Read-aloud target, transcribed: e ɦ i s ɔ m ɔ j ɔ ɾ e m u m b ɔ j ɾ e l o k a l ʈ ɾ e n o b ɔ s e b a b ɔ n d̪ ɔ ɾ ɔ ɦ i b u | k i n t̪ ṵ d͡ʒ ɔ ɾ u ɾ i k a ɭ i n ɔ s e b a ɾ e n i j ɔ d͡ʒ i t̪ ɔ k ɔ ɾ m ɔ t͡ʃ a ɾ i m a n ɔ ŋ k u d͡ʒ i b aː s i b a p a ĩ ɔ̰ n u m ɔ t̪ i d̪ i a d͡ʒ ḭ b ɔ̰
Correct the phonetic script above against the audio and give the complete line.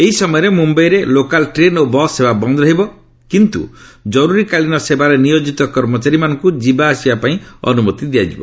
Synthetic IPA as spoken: e ɦ i s ɔ m ɔ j ɔ ɾ e m u m b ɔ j ɾ e l o k a l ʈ ɾ e n o b ɔ s e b a b ɔ n d̪ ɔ ɾ ɔ ɦ i b ɔ | k i n t̪ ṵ d͡ʒ ɔ ɾ u ɾ i k a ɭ i n ɔ s e b a ɾ e n i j o d͡ʒ i t̪ ɔ k ɔ ɾ m ɔ t͡ʃ a ɾ i m a n ɔ ŋ k u d͡ʒ i b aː s i b a p a ĩ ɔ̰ n u m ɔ t̪ i d̪ i a d͡ʒ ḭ b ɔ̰